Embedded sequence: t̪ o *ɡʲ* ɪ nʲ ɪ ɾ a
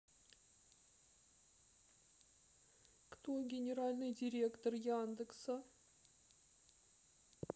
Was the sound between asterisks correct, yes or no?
yes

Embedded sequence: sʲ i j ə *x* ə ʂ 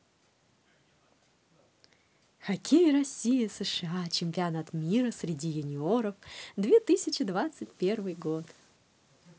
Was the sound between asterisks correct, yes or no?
no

